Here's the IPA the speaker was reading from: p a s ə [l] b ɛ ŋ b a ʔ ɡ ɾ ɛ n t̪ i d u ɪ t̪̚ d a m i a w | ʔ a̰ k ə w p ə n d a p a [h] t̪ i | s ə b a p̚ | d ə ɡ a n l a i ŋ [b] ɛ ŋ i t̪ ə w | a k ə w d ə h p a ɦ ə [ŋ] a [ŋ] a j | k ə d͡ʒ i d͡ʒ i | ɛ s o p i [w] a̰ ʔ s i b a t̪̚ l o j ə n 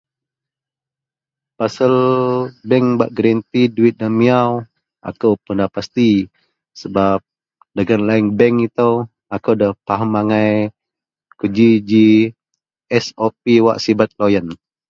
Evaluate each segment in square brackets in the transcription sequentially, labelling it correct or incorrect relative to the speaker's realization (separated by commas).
correct, incorrect, correct, incorrect, correct, correct